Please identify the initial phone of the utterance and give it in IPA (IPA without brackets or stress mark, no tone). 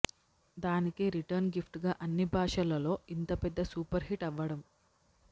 d̪